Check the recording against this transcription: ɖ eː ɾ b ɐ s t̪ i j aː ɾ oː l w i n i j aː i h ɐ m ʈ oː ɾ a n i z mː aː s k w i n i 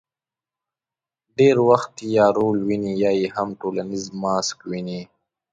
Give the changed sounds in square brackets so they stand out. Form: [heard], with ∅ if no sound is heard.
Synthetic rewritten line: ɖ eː ɾ [w] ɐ [x] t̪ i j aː ɾ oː l w i n i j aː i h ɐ m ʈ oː [l] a n i z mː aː s k w i n i